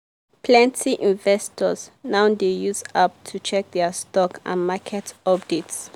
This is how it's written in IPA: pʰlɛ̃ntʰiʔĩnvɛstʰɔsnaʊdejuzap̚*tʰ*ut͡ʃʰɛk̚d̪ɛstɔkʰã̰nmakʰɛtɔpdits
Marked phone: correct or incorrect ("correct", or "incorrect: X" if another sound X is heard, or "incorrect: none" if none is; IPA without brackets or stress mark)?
correct